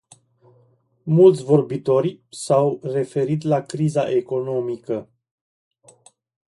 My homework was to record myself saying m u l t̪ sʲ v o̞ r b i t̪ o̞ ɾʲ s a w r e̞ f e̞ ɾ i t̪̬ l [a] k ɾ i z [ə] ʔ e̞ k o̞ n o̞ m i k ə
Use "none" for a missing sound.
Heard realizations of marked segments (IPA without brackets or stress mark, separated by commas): a, a